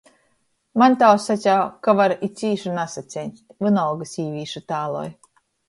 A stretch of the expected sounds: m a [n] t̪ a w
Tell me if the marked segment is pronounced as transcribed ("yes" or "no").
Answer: yes